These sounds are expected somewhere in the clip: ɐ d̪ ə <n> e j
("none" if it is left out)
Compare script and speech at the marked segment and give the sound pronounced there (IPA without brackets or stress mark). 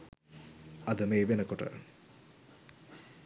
m